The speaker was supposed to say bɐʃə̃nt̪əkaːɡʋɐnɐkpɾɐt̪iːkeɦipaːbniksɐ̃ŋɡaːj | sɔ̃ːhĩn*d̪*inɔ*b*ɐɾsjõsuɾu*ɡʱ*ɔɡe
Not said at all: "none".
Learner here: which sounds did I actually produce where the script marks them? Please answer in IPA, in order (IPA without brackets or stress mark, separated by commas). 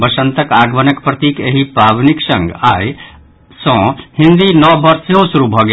d̪, b, bʱ